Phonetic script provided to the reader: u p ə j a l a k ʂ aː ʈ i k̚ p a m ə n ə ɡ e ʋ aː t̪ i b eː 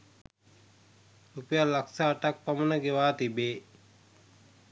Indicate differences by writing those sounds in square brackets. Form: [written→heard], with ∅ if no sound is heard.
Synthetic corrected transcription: u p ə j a l a k [ʂ→s] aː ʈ [i→a] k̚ p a m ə n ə ɡ e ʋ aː t̪ i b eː